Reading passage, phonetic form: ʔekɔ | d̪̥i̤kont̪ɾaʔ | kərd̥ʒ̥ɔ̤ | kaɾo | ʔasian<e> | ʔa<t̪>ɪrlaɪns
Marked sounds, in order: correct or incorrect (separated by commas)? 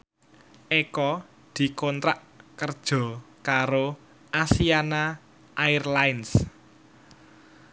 incorrect, incorrect